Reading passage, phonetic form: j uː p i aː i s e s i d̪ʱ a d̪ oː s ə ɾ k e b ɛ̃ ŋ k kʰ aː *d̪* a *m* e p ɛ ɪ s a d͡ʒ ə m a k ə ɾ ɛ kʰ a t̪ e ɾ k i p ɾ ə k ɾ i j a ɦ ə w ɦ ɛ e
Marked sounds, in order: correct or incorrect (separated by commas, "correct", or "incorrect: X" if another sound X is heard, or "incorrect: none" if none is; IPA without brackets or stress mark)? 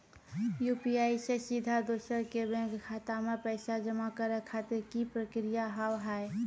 incorrect: t̪, correct